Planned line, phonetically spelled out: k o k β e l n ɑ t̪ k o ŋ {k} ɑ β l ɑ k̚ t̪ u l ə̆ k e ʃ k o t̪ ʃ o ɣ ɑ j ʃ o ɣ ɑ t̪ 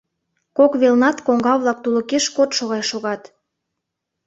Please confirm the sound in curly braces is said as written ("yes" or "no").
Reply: no